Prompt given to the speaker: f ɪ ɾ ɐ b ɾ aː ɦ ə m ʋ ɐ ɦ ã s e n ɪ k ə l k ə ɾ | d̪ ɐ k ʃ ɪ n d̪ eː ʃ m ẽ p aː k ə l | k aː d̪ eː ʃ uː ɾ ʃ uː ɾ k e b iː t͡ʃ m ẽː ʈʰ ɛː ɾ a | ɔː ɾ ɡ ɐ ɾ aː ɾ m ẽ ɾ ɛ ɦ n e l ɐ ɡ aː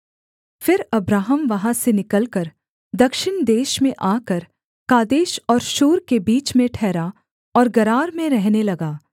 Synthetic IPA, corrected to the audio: f ɪ ɾ ɐ b ɾ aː ɦ ə m ʋ ɐ ɦ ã s e n ɪ k ə l k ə ɾ | d̪ ɐ k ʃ ɪ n d̪ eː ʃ m ẽ ʔ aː k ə ɾ | k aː d̪ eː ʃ ɔː ɾ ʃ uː ɾ k e b iː t͡ʃ m ẽ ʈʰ ɛː ɾ a | ɔː ɾ ɡ ɐ ɾ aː ɾ m ẽ ɾ ɛ ɦ n e l ɐ ɡ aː